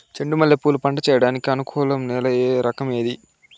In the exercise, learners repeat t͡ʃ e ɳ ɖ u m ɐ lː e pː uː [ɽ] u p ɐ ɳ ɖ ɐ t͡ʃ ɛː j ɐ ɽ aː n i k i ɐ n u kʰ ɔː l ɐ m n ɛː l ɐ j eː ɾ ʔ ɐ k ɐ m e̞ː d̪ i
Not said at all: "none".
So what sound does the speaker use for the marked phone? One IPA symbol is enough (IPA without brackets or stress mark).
l